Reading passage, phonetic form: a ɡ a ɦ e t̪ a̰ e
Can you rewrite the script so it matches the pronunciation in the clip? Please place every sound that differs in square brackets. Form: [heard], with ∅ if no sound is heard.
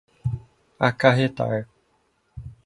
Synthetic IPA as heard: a [k] a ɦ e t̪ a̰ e